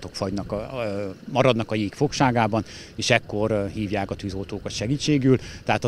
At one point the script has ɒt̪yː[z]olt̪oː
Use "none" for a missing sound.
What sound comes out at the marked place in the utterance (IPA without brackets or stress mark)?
z